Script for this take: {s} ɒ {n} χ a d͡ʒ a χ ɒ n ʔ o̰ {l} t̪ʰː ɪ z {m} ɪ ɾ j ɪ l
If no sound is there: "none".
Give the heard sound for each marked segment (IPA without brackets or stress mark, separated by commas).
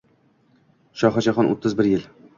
ʃ, none, none, b